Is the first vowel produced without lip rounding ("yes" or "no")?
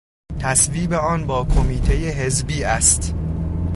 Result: yes